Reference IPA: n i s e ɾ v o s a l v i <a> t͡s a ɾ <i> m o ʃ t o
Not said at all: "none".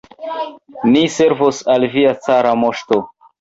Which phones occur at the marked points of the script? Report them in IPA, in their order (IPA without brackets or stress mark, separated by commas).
a, a